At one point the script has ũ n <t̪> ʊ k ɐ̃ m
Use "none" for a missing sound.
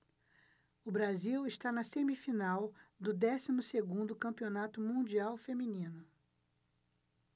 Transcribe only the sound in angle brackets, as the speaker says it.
d̪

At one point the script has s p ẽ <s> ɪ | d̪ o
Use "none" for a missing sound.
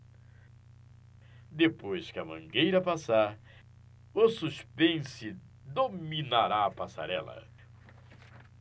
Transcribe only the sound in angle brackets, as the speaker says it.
s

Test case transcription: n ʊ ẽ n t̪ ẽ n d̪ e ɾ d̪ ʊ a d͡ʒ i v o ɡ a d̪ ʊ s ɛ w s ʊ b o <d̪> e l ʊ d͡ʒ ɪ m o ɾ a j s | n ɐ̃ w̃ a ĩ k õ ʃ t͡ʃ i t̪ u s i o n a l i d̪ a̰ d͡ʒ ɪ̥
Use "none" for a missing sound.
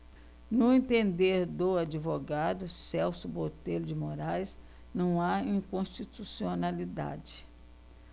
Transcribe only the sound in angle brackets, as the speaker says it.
t̪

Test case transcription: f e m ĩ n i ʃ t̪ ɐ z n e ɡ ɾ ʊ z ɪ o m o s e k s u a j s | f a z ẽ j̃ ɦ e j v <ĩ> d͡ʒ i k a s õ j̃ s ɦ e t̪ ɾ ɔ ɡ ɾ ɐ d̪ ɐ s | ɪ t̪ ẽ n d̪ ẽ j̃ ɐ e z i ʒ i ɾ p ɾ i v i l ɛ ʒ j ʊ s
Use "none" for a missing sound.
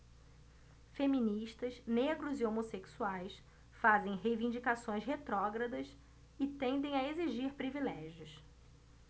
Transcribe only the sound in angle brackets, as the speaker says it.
ĩ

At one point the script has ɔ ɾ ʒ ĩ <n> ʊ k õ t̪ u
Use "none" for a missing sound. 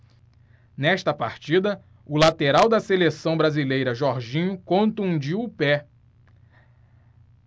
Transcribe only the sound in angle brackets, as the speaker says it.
ɲ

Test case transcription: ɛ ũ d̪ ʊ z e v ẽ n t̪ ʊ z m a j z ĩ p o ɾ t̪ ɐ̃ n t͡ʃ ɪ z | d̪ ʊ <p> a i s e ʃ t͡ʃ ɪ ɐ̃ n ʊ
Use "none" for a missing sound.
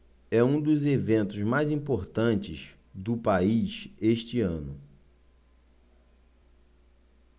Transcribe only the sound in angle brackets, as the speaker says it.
p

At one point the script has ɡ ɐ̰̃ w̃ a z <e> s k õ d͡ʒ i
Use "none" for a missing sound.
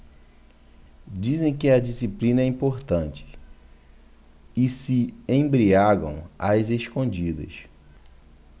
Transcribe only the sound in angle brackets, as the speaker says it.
e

